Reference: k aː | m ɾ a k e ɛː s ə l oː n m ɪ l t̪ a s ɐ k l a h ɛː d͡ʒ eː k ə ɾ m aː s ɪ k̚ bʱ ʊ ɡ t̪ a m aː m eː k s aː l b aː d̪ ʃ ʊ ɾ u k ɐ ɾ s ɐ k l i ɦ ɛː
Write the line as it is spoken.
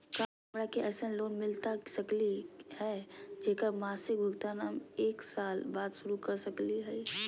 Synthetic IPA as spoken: k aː | m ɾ a k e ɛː s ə l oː n m ɪ l t̪ a s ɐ k l i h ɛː d͡ʒ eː k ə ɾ m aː s ɪ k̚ bʱ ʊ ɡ t̪ a n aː m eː k s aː l b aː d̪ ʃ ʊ ɾ u k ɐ ɾ s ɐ k l i ɦ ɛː